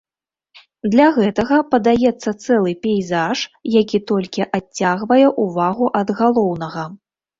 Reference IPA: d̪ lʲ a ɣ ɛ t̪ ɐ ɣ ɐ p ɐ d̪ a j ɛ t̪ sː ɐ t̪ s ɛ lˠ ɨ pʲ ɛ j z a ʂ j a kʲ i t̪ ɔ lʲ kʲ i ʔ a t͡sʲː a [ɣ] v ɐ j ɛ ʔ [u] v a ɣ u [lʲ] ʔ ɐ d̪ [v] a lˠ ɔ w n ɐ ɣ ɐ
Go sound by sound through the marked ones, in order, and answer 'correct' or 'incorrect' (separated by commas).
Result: correct, correct, incorrect, incorrect